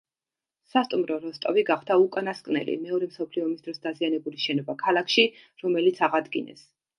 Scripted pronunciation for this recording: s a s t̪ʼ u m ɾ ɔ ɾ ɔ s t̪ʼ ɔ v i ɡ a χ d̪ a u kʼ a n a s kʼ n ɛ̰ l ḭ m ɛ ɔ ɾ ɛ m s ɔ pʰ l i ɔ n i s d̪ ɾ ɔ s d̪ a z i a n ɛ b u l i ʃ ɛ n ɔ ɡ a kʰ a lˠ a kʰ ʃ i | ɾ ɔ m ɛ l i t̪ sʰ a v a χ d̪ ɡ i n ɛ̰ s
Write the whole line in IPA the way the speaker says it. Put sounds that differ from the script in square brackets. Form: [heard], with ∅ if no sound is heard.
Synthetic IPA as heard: s a s t̪ʼ u m ɾ ɔ ɾ ɔ s t̪ʼ ɔ v i ɡ a χ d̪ a u kʼ a n a s kʼ n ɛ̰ l ḭ m ɛ ɔ ɾ ɛ m s ɔ pʰ l i ɔ [m] i s d̪ ɾ ɔ s d̪ a z i a n ɛ b u l i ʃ ɛ n ɔ [b] a kʰ a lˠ a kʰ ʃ i | ɾ ɔ m ɛ l i t̪ sʰ a [ʁ] a [∅] d̪ ɡ i n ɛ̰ s